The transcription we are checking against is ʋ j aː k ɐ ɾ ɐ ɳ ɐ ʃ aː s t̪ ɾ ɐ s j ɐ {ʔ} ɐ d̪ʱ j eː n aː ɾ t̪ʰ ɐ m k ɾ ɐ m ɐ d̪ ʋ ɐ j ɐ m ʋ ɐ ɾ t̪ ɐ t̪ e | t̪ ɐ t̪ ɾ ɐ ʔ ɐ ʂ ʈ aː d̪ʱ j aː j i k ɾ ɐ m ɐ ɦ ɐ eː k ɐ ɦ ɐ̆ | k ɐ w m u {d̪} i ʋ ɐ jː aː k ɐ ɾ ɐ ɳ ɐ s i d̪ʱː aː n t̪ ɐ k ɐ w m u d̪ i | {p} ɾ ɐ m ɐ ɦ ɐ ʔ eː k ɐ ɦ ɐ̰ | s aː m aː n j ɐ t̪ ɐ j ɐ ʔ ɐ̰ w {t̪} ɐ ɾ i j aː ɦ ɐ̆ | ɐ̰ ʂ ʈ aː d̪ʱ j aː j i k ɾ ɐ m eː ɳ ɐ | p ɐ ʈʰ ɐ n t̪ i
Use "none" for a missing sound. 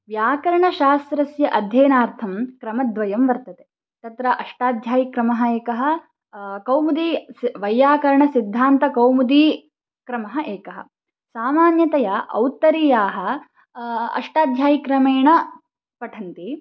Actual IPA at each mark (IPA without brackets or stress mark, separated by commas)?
ʔ, d̪, k, t̪